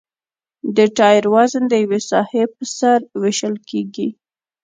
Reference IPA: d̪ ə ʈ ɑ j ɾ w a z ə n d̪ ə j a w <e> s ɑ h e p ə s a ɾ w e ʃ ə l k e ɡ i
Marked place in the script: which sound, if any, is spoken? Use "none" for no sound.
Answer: e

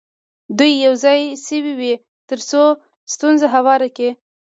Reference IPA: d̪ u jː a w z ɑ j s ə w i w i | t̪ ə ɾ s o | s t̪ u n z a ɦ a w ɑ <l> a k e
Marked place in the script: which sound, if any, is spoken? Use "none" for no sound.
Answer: ɾ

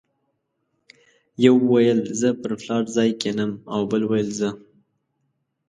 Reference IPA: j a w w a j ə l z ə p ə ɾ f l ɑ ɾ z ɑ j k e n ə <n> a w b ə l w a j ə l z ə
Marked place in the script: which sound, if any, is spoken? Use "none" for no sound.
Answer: m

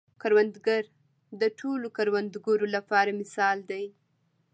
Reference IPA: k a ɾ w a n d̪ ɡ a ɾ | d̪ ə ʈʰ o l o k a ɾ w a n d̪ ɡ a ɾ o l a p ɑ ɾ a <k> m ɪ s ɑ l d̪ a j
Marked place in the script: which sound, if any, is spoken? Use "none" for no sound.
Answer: none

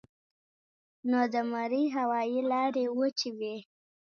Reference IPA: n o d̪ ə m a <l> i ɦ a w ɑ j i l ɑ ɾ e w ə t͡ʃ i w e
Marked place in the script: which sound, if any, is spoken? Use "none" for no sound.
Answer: ɾ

